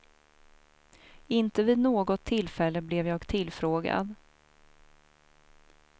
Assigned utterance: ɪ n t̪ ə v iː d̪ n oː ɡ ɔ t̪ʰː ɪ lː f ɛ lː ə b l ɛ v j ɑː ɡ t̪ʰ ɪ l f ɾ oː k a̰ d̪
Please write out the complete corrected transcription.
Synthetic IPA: ɪ n t̪ ə v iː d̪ n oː ɡ ɔ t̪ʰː ɪ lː f ɛ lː ə b l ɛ v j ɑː ɡ t̪ʰ ɪ l f ɾ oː ɡ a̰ d̪